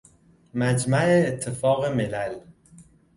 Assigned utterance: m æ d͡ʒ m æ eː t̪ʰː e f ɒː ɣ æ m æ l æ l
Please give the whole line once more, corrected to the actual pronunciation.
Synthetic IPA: m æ d͡ʒ m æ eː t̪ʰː e f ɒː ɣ e m e l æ l